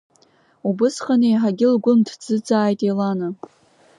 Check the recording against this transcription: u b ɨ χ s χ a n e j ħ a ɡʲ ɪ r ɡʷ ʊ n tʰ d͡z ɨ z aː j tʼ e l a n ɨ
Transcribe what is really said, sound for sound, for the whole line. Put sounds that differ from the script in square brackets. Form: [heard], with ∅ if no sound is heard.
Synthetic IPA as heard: u b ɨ [∅] s χ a n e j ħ a ɡʲ ɪ [l] ɡʷ ʊ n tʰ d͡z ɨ [d͡z] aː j tʼ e l a n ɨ